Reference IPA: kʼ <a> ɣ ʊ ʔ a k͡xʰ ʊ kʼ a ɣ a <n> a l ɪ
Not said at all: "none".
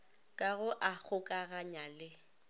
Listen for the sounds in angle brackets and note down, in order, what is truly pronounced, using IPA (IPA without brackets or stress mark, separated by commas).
a, ɲ